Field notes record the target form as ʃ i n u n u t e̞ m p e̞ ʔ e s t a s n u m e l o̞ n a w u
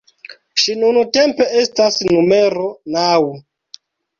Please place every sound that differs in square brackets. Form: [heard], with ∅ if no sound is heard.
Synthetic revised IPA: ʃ i n u n u t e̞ m p e̞ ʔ e s t a s n u m e [ɾ] o̞ n a w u